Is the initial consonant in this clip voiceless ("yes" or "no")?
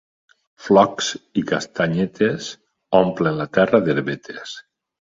yes